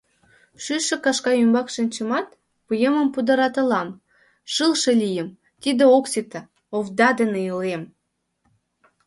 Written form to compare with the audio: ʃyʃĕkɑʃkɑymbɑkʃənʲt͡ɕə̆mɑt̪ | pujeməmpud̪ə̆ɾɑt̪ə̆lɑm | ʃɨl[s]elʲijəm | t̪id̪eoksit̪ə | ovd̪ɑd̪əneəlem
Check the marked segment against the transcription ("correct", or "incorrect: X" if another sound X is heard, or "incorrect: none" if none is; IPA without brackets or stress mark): incorrect: ʃ